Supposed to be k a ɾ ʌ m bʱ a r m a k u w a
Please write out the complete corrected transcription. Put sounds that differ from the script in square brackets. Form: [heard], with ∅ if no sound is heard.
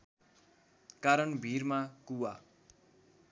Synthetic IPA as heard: k a ɾ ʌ [n] bʱ [i] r m a k u w a